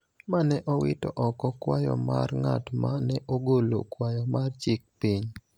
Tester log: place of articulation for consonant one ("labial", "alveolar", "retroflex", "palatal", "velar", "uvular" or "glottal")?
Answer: labial